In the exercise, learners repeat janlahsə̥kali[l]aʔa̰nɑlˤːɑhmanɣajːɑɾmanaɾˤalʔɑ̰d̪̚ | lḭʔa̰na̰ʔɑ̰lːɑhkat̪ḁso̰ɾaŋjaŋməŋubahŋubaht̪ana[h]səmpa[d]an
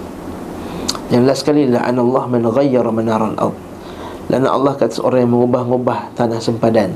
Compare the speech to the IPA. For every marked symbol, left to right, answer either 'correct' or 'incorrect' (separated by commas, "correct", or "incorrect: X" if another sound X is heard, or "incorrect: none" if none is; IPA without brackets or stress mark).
correct, correct, correct